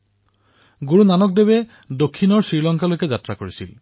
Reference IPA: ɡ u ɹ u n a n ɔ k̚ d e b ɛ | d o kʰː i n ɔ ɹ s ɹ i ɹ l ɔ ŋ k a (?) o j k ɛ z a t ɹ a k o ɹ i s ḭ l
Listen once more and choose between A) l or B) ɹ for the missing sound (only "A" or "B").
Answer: A